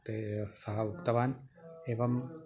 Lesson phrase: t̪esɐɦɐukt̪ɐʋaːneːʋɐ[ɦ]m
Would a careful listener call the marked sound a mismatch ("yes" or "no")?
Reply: yes